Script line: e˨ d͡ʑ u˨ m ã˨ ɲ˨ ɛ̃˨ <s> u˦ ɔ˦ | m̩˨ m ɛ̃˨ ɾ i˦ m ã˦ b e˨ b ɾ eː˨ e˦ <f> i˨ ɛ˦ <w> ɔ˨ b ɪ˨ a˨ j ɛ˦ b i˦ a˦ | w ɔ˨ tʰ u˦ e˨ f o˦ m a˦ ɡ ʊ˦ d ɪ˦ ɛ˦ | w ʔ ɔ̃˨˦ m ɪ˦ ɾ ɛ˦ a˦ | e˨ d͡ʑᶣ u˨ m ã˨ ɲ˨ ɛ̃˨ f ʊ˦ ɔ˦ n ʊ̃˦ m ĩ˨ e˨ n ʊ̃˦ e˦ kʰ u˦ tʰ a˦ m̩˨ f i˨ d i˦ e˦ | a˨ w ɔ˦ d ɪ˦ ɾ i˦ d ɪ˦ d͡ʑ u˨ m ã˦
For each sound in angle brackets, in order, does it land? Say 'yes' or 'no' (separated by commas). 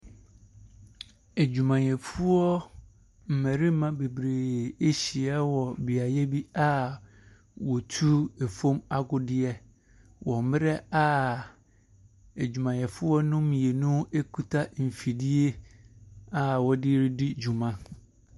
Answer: no, no, yes